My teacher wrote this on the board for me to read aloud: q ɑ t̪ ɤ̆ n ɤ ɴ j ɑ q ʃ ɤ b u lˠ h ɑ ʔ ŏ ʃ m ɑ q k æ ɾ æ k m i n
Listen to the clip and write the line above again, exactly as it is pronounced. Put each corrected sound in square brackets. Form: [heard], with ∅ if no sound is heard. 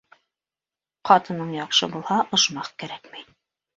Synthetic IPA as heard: q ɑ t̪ ɤ̆ n ɤ ɴ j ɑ q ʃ ɤ b u lˠ h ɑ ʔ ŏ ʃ m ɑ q k æ ɾ æ k m i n